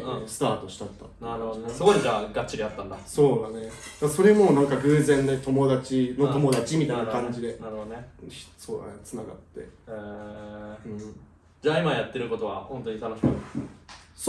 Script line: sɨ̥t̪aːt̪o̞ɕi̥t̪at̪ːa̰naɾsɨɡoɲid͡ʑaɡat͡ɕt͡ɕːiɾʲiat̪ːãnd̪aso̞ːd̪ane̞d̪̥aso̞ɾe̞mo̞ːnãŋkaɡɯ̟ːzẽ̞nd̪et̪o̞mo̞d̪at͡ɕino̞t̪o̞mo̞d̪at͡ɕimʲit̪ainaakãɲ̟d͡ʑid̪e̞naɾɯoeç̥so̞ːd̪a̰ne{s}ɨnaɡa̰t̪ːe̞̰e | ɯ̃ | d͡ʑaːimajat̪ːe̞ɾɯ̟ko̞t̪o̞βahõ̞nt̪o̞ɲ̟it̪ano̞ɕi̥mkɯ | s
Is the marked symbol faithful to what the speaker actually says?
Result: no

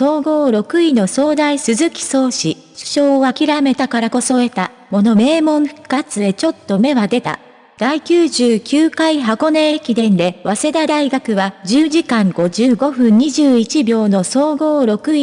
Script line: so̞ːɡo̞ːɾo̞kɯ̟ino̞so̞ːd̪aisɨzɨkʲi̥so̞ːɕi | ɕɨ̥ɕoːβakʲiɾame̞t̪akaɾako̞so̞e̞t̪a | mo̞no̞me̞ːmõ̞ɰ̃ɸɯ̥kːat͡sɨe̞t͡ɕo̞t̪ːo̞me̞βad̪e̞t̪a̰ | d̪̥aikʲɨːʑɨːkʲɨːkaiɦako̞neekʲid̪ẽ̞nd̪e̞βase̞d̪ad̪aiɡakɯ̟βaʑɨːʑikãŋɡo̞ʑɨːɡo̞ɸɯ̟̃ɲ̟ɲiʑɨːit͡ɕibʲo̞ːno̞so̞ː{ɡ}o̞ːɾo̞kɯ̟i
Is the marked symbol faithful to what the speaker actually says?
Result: yes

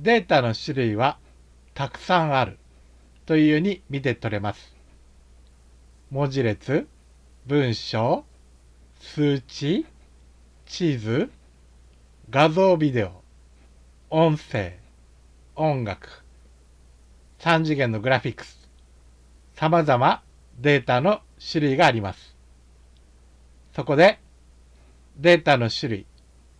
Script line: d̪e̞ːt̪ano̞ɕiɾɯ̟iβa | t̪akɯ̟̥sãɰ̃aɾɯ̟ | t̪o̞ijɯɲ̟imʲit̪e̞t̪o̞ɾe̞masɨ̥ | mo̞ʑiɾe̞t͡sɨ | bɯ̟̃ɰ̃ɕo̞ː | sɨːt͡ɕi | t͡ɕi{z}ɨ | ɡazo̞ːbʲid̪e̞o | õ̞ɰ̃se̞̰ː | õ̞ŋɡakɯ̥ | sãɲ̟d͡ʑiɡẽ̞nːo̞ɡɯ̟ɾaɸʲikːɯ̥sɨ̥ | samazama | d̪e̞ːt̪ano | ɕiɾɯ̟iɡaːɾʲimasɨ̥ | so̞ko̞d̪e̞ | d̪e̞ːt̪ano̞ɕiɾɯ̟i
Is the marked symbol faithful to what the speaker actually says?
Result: yes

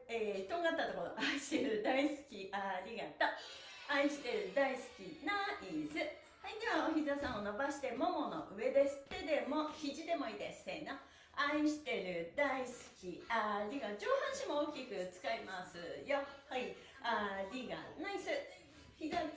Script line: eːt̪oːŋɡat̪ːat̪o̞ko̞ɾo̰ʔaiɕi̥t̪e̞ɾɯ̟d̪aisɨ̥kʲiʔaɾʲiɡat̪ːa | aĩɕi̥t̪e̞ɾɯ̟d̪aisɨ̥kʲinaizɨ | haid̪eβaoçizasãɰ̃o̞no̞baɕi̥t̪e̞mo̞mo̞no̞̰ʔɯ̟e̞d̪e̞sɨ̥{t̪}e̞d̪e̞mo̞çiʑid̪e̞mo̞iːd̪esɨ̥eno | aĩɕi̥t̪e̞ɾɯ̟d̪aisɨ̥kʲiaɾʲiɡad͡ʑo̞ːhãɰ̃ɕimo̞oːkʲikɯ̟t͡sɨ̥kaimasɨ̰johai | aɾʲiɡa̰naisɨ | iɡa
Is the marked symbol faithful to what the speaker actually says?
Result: yes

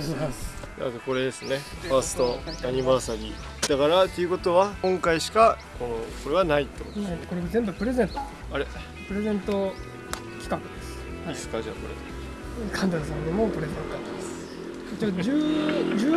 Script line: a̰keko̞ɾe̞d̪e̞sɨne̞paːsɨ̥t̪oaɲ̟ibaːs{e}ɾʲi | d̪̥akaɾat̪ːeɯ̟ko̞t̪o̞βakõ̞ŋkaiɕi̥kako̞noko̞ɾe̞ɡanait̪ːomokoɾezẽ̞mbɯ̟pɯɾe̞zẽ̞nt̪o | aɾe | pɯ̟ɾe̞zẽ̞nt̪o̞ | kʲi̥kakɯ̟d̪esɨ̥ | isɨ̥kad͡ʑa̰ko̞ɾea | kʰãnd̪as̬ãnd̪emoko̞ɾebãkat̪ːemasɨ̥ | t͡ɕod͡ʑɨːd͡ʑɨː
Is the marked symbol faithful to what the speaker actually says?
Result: no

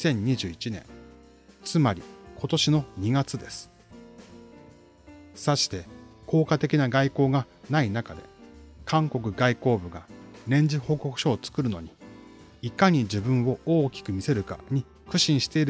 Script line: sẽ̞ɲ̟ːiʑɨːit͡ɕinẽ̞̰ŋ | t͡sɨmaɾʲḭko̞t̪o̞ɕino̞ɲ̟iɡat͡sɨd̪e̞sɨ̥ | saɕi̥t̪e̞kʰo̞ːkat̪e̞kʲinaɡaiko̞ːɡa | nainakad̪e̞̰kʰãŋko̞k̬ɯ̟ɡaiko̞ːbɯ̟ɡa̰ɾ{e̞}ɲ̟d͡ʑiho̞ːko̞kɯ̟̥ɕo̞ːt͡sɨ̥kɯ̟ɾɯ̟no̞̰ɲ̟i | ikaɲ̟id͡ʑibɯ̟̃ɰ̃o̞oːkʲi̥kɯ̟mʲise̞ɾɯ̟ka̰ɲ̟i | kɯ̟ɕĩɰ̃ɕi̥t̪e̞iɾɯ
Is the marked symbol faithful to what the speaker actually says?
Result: no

